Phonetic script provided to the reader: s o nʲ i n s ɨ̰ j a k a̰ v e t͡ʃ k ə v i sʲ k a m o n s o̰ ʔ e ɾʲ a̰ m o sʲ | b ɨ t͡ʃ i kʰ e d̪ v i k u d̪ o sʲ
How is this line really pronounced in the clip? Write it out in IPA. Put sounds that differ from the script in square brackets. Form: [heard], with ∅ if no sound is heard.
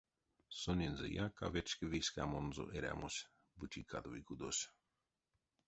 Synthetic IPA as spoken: s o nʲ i n [z] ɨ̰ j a k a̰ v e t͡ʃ k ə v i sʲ k a m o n [z] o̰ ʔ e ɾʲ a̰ m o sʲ | b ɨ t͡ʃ i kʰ [a] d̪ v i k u d̪ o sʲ

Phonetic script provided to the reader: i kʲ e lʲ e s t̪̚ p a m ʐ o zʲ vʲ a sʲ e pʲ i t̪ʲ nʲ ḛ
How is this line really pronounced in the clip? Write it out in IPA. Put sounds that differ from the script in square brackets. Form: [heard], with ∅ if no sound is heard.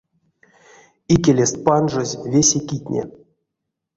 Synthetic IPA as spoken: i kʲ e lʲ e s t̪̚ p a [n] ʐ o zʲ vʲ [e] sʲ e [kʲ] i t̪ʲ nʲ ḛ

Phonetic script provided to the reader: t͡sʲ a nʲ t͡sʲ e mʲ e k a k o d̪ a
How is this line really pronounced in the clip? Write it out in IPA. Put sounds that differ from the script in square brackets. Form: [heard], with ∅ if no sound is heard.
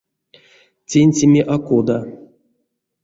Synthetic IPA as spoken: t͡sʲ [e] nʲ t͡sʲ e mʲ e [ʔ] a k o d̪ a

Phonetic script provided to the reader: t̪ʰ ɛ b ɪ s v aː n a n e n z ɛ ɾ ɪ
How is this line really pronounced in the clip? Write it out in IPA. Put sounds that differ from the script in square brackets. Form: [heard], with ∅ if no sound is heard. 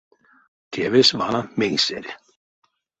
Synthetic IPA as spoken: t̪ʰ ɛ [v] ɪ s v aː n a [m] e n [s] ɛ ɾ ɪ

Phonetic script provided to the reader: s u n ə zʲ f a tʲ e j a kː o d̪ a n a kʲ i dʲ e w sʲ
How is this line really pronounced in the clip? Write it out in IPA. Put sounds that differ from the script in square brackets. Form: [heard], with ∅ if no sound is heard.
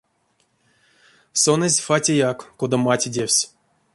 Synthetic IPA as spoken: s [o] n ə zʲ f a tʲ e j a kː o d̪ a [m] a [tʲ] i dʲ e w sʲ

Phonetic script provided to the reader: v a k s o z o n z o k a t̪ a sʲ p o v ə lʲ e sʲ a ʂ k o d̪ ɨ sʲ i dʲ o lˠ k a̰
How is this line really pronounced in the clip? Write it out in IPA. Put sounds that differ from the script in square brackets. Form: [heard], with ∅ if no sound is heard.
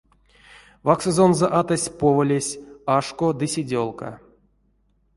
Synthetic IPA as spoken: v a k s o z o n z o [ʔ] a t̪ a sʲ p o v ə lʲ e sʲ a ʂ k o d̪ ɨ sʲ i dʲ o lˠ k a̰

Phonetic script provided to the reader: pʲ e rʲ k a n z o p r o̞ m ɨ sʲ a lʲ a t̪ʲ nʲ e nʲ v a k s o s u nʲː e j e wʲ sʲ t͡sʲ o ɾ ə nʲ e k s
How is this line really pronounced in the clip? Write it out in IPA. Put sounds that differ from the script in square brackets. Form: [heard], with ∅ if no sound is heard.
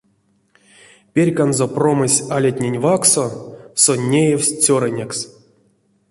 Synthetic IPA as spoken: pʲ e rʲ k a n z o p r o̞ m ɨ sʲ a lʲ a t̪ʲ nʲ e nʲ v a k s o s [o] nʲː e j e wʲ sʲ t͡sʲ o ɾ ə nʲ e k s

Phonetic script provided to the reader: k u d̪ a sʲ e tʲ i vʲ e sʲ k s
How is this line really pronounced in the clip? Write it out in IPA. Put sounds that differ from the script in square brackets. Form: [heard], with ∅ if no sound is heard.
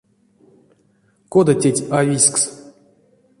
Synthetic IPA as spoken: k [o] d̪ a [tʲ] e tʲ [a] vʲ [i] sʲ k s

